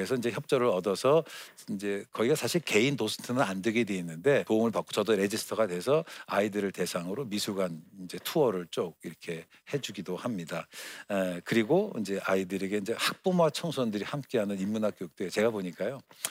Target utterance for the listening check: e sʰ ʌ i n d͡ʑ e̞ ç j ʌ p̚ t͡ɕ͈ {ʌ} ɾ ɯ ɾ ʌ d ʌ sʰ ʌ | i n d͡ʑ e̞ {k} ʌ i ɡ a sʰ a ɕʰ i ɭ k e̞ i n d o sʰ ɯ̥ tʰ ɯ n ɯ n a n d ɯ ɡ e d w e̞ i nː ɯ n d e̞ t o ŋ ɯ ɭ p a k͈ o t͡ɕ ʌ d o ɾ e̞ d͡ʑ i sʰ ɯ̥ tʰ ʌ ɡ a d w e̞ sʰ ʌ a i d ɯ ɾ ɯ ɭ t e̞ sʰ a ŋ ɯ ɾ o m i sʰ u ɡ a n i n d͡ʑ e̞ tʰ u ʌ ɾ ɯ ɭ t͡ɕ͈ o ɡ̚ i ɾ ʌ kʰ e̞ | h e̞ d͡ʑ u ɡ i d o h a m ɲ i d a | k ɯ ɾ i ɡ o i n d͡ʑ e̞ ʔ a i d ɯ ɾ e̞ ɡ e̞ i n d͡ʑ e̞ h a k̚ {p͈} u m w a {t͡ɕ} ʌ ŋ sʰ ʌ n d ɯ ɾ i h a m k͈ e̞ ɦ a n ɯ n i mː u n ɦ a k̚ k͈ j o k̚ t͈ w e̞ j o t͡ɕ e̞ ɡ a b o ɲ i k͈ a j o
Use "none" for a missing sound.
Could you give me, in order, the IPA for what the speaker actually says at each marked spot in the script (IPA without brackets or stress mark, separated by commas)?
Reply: ʌ, k, p͈, t͡ɕʰ